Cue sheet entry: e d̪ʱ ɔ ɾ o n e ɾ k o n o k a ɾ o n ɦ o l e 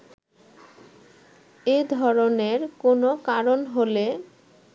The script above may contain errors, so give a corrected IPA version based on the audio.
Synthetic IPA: e d̪ʱ ɔ ɾ o n e ɾ k o n o k a ɾ o n ɦ o l e